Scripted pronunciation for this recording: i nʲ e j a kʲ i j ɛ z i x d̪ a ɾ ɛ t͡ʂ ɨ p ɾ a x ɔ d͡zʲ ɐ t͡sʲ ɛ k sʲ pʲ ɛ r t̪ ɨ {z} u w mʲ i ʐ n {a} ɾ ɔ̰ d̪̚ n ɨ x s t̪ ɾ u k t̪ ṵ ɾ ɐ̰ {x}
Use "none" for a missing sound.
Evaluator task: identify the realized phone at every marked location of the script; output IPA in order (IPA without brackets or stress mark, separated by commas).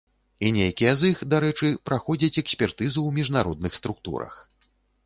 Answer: z, a, x